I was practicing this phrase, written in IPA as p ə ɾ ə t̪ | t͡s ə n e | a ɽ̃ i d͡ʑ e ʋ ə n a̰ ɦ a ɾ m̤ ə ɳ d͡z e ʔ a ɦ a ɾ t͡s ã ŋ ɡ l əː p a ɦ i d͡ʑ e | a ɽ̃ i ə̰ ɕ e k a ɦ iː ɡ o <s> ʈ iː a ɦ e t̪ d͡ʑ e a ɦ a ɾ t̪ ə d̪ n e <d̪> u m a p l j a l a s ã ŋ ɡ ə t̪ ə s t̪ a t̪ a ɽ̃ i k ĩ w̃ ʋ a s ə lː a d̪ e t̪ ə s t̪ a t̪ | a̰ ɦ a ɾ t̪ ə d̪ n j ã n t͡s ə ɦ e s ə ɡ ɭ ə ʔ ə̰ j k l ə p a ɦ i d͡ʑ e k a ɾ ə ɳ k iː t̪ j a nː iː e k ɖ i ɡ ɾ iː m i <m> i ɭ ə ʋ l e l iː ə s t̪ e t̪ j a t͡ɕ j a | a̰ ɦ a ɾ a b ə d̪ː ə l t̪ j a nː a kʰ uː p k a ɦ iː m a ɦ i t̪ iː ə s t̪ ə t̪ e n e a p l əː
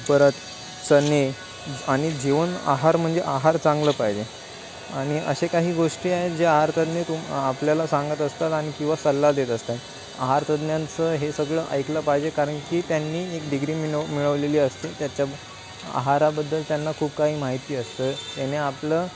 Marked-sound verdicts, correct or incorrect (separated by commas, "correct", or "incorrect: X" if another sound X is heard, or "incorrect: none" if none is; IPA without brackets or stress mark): incorrect: ʂ, incorrect: t̪, correct